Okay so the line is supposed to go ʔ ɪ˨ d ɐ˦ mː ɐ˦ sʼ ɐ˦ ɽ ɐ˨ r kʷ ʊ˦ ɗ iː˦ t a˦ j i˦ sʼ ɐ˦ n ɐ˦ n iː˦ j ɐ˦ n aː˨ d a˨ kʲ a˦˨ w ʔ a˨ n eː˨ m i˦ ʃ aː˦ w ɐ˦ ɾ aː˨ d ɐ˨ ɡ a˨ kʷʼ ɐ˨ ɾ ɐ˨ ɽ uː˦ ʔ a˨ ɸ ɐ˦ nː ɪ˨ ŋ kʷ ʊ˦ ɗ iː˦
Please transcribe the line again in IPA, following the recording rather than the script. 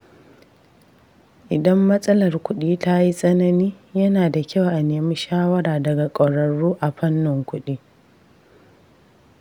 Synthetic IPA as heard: ʔ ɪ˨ d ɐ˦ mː ɐ˦ sʼ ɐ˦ l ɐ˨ r kʷ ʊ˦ ɗ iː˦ t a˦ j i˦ sʼ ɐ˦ n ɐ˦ n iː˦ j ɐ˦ n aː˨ d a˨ kʲ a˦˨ w ʔ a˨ n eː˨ m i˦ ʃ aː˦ w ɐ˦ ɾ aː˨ d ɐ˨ ɡ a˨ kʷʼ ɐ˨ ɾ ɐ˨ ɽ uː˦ ʔ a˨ ɸ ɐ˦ nː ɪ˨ ŋ kʷ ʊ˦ ɗ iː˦